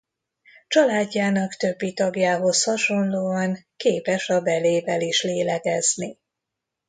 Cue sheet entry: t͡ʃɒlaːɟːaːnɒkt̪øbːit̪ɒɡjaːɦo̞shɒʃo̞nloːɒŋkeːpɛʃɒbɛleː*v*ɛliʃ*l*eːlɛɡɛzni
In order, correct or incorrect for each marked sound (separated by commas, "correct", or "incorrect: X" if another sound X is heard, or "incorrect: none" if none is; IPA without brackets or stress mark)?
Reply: correct, correct